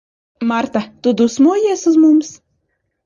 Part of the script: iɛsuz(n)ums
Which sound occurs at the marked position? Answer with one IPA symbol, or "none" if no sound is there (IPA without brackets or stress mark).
m